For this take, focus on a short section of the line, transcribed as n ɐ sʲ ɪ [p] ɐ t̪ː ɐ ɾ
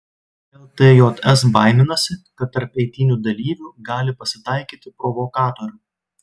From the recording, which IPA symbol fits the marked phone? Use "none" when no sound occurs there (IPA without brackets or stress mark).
k